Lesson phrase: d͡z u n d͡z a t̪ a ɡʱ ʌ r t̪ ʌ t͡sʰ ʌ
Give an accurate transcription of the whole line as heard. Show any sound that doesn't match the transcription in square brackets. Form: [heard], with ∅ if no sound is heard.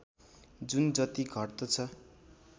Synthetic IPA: d͡z u n d͡z [ʌ] t̪ [i] ɡʱ ʌ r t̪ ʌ t͡sʰ ʌ